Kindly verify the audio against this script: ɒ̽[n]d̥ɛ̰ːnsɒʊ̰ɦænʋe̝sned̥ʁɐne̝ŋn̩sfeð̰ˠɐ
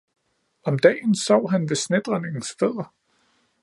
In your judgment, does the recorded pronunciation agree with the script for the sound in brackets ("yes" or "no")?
no